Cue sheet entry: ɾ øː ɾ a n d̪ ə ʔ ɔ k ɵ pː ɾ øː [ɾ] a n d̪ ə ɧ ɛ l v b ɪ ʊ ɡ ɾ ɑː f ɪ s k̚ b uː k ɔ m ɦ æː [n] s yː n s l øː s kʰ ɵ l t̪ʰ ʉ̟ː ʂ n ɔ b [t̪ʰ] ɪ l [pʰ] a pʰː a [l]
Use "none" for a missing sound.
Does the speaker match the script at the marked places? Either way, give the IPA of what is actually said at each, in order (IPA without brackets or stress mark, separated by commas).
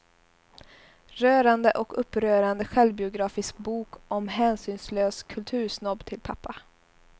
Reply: ɾ, n, t̪ʰ, pʰ, none